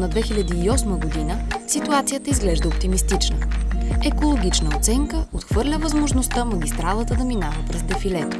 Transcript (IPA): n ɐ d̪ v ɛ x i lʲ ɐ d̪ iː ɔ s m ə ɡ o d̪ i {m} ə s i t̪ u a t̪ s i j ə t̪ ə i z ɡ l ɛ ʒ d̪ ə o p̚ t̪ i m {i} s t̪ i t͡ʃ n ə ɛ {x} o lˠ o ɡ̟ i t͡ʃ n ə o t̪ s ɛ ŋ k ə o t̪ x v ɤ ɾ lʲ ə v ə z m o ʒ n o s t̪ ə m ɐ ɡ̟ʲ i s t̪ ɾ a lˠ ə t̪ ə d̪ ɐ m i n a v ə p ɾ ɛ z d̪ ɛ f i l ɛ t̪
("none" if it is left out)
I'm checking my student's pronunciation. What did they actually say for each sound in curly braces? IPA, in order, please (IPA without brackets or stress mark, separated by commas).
n, i, k